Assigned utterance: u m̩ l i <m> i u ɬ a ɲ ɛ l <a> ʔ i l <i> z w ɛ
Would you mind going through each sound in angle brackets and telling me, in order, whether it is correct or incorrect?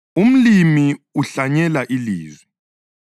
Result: correct, correct, incorrect

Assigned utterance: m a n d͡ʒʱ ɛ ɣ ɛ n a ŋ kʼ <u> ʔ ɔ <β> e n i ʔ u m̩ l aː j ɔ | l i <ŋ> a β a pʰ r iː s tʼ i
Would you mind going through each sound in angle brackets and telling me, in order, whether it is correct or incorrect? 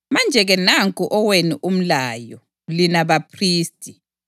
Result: correct, incorrect, incorrect

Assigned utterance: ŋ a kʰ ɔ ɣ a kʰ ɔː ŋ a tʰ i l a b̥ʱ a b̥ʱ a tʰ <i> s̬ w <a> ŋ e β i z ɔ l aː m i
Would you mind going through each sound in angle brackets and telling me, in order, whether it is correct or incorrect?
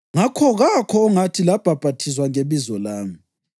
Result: correct, correct

